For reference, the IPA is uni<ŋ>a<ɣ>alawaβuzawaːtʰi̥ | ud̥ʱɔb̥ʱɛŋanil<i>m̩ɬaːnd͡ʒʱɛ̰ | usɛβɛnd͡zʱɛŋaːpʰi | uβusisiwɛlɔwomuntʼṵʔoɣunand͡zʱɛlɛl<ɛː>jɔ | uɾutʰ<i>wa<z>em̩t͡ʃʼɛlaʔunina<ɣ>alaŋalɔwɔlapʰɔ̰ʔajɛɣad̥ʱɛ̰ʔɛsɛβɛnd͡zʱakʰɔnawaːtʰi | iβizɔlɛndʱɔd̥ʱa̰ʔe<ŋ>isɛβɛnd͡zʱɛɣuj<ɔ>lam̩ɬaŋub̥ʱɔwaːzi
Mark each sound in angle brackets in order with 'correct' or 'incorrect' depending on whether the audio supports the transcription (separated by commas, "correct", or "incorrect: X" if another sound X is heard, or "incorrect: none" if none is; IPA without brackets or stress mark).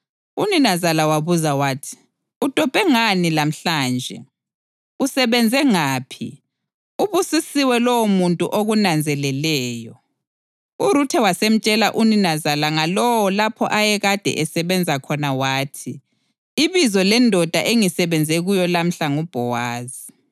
incorrect: n, incorrect: z, incorrect: a, correct, incorrect: ɛ, incorrect: s, incorrect: z, correct, correct